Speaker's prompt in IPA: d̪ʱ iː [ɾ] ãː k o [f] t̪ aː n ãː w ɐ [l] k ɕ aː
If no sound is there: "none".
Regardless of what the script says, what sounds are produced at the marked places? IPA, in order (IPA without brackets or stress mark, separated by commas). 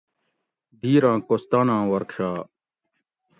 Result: ɾ, s, ɾ